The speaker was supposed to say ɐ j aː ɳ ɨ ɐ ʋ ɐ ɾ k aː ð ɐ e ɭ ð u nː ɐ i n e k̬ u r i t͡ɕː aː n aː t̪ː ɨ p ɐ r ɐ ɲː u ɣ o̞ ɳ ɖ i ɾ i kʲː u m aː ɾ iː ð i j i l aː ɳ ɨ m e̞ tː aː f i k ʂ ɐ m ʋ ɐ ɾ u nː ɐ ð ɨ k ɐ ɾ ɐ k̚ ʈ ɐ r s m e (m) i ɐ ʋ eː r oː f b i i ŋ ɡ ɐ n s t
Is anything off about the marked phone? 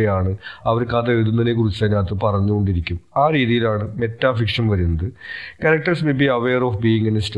yes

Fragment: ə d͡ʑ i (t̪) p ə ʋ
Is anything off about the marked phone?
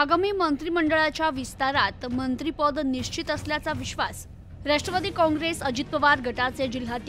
no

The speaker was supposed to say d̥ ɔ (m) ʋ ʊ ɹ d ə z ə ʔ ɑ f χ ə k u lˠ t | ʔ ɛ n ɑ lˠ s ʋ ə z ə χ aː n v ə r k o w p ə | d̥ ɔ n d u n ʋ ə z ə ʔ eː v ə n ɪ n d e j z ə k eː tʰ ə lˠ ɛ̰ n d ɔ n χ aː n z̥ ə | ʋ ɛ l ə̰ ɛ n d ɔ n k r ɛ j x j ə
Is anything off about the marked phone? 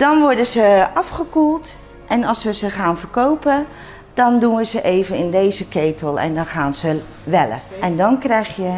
yes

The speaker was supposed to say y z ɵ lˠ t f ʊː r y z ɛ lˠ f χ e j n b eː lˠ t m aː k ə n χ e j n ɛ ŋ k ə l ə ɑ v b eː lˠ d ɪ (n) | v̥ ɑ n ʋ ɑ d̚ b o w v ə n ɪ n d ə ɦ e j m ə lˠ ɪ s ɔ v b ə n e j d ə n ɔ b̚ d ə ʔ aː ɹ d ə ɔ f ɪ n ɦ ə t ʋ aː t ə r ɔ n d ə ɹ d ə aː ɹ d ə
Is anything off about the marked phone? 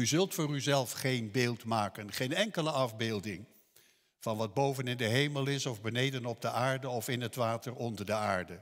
yes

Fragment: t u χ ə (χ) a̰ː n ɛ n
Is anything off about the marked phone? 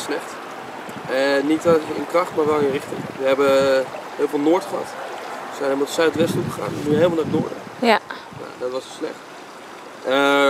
no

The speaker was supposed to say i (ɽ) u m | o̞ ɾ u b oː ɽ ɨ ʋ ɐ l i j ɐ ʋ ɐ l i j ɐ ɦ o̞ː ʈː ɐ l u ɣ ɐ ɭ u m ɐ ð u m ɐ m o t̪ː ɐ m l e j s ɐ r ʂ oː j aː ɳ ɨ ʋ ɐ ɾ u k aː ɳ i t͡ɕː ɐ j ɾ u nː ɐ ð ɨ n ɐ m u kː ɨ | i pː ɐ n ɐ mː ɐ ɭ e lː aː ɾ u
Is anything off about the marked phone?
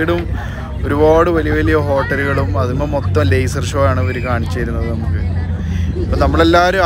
no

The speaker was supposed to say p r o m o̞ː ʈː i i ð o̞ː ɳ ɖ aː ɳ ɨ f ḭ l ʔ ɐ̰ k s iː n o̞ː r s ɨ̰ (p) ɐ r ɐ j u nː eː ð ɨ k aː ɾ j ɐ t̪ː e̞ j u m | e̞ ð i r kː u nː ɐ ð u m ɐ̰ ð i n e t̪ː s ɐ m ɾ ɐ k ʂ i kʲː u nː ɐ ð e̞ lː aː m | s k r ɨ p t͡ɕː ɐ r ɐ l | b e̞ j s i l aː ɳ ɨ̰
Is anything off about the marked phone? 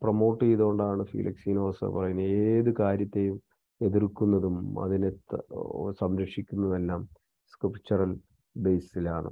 no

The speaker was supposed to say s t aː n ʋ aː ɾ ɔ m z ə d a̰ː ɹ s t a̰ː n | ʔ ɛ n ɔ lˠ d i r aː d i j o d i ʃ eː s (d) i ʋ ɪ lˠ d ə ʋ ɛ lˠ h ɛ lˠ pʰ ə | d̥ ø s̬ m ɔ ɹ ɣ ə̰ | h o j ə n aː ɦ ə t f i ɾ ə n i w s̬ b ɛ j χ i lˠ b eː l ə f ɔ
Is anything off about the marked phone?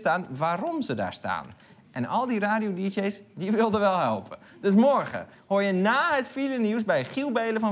no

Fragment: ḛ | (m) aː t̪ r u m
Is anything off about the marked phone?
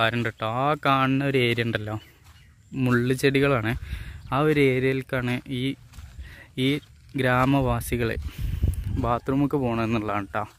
yes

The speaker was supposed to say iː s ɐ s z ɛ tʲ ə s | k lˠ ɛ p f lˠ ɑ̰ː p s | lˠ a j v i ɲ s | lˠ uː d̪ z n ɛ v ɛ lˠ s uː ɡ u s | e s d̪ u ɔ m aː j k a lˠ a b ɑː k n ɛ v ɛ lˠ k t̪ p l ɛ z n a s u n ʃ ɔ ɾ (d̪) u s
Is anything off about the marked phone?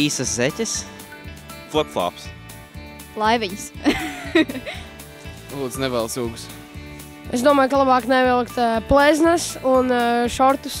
yes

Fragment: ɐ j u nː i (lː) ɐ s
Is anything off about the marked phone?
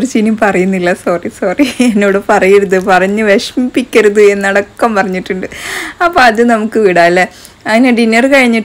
no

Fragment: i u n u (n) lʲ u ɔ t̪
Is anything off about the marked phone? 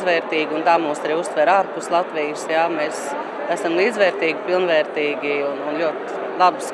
no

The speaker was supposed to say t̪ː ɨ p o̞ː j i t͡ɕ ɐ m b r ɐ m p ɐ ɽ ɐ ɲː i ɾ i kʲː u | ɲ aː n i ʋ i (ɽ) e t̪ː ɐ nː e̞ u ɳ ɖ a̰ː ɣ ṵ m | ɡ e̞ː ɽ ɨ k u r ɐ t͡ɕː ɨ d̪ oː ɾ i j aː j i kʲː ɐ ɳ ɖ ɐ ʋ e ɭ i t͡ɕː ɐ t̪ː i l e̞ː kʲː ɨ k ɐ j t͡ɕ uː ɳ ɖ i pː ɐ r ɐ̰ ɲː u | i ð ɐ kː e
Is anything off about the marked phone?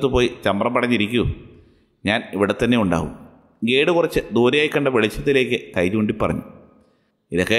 no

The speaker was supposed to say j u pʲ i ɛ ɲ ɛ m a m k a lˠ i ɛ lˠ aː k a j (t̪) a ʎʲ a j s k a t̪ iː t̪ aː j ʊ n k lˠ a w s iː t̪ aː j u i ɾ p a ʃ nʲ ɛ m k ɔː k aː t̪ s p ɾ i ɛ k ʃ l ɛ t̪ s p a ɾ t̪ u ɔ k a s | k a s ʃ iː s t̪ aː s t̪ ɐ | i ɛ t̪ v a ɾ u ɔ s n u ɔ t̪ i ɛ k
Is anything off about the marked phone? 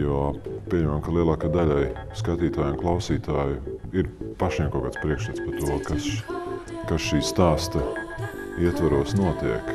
yes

